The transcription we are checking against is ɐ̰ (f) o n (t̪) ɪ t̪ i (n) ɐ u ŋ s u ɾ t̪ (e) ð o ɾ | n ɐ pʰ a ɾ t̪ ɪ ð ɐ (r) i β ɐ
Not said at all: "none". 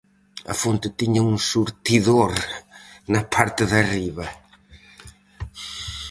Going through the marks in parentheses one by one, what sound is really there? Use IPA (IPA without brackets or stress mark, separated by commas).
f, t̪, ɲ, i, r